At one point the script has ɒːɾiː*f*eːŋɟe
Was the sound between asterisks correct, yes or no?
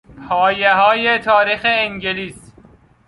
no